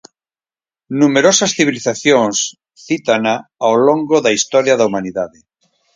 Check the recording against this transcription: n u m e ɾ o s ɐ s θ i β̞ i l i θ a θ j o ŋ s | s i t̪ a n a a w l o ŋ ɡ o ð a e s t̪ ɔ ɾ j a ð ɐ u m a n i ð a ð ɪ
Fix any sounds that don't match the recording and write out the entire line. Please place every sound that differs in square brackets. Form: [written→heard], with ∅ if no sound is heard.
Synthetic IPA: n u m e ɾ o s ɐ s θ i β̞ i l i θ a θ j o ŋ s | [s→θ] i t̪ a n a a w l o ŋ ɡ o ð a [e→i] s t̪ ɔ ɾ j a ð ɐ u m a n i ð a ð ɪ